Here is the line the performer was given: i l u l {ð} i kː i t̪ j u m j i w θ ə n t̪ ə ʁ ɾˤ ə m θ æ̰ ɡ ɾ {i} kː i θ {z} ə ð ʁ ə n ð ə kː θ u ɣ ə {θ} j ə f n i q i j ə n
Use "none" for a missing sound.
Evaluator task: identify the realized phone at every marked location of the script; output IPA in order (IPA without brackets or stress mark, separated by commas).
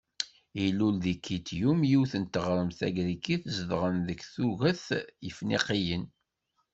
ð, i, z, θ